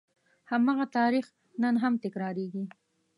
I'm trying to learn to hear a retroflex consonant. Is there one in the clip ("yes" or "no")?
no